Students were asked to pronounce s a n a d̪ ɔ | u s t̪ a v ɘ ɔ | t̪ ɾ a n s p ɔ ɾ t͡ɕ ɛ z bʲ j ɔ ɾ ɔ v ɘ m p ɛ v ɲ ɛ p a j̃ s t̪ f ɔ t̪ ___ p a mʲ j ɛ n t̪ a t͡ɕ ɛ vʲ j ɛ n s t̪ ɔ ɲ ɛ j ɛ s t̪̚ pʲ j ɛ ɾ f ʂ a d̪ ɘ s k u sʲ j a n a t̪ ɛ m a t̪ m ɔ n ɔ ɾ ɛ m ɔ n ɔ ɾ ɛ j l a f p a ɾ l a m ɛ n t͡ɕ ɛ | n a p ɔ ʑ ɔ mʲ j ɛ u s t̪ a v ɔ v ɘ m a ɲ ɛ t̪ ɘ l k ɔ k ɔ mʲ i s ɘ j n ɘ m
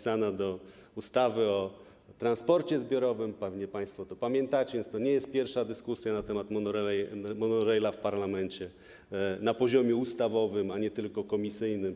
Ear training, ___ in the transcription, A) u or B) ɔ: B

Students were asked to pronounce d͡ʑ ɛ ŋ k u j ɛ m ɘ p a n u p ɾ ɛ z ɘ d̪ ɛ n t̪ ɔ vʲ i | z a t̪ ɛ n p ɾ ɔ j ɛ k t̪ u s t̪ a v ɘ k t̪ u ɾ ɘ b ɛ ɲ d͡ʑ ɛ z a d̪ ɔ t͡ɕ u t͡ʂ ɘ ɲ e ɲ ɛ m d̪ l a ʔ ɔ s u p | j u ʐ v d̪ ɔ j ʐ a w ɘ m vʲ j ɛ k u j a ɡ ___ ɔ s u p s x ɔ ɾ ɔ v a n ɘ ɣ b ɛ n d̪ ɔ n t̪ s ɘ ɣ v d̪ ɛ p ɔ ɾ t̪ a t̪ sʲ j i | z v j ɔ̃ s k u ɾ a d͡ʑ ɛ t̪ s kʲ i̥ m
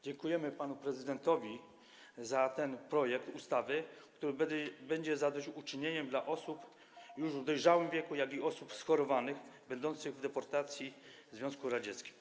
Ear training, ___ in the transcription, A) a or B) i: B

